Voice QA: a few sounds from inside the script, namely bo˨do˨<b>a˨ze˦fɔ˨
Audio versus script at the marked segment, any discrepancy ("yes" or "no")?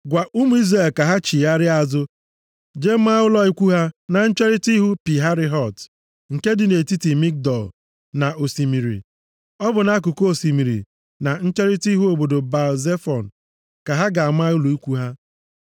no